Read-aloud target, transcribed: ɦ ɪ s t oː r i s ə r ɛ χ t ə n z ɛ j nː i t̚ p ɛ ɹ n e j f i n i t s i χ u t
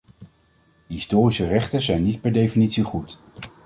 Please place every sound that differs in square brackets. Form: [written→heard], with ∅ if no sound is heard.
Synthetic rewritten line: ɦ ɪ s t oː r i s ə r ɛ χ t ə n z ɛ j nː i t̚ p ɛ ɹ [n→d] e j f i n i t s i χ u t